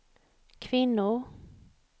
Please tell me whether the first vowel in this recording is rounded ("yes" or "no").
no